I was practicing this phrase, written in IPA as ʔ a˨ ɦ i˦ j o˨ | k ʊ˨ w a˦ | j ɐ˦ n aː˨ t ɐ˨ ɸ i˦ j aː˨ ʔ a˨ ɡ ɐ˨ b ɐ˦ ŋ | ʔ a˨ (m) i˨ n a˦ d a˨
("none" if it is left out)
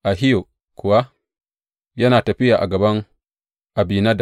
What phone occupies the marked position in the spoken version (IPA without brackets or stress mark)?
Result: b